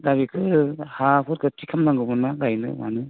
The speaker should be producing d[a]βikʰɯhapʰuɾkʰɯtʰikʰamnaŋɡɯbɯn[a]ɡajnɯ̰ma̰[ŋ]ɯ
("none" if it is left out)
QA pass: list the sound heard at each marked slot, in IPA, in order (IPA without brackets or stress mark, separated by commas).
a, a, n